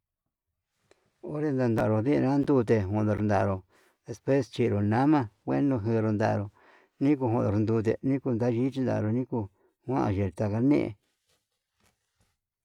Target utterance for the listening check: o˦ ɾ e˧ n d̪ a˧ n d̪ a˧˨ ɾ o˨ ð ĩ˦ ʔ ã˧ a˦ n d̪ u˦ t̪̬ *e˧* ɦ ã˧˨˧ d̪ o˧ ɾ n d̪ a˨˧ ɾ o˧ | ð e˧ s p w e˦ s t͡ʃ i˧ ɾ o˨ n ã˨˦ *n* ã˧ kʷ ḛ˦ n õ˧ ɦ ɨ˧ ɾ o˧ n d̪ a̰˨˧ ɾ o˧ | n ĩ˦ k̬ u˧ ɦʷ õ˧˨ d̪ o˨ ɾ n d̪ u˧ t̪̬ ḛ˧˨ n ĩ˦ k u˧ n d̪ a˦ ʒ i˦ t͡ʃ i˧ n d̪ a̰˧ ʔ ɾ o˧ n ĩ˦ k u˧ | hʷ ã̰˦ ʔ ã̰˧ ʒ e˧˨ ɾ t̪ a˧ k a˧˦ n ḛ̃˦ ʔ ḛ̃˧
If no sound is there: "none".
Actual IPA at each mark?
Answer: e˧, m

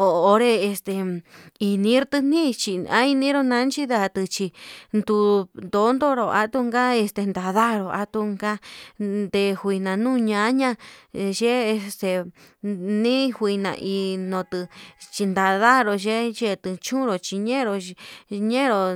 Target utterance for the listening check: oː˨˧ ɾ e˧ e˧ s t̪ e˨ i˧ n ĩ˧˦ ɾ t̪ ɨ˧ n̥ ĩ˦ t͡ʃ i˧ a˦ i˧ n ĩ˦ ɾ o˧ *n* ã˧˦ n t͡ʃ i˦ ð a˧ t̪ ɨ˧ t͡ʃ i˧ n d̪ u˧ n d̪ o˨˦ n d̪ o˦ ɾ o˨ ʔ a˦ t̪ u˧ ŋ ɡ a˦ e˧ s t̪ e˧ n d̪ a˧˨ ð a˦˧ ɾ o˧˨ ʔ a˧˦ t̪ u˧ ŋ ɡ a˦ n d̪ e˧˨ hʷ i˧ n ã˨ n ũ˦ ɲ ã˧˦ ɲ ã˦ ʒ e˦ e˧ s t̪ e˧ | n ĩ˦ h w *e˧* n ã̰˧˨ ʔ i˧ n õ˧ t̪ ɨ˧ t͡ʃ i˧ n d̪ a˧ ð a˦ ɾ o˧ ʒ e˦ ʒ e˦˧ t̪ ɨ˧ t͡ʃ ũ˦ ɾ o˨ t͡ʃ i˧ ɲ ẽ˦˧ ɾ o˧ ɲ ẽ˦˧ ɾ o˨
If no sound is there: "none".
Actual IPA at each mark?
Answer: n, i˧

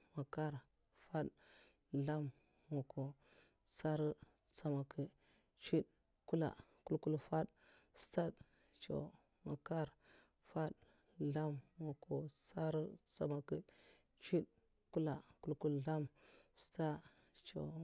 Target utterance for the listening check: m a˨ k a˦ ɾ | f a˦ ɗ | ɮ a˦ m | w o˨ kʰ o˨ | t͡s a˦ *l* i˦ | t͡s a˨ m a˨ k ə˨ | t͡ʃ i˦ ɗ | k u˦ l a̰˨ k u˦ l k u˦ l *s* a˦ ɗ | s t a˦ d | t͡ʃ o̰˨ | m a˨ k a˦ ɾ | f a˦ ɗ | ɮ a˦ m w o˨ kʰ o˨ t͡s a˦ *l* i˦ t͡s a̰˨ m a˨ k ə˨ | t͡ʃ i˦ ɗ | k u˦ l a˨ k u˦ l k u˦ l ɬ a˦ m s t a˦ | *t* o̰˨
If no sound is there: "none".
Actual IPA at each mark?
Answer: ɾ, f, ɾ, t͡ʃ

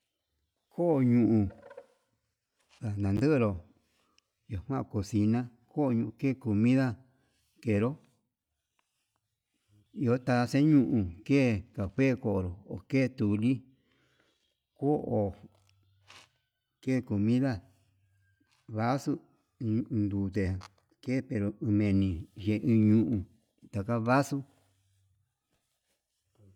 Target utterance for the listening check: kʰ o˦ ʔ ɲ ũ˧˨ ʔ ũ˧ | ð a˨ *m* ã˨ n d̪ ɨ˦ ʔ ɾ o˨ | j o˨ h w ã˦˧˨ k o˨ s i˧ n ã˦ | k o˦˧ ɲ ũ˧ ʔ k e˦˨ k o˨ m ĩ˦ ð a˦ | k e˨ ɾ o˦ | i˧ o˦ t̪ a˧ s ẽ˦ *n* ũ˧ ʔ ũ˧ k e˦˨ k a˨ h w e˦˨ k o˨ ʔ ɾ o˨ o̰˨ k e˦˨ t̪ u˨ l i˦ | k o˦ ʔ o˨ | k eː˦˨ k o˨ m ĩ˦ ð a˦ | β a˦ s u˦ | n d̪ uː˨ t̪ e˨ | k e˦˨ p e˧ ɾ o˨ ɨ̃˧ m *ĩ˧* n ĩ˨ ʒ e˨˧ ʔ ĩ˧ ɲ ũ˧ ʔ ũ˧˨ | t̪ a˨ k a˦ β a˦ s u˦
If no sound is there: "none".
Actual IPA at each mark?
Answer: n, ɲ, ẽ˧

